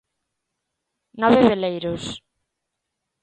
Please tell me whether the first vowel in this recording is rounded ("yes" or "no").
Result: yes